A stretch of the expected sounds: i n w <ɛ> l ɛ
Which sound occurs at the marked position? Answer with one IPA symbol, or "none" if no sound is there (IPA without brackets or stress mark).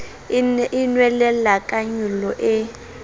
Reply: ɛ